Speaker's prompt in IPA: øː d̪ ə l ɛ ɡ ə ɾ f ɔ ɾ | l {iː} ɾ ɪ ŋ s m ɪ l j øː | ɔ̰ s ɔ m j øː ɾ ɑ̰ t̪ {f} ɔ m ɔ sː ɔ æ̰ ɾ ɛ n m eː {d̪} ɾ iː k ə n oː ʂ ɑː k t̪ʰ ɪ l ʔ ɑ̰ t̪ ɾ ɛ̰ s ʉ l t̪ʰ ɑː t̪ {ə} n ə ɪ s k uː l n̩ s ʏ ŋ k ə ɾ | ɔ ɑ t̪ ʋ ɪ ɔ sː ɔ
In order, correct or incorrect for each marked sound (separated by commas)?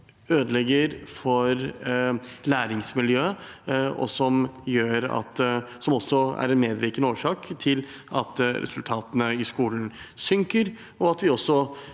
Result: incorrect, incorrect, correct, correct